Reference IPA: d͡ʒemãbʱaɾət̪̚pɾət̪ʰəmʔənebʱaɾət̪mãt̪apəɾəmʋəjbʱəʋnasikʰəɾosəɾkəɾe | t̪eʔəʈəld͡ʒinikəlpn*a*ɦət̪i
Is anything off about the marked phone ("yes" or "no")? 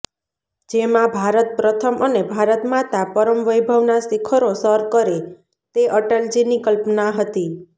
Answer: no